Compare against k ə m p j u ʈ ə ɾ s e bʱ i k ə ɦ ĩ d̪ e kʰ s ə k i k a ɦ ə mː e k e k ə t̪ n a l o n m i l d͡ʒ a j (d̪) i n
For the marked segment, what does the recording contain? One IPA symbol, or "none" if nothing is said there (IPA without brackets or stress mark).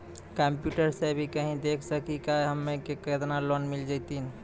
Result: t̪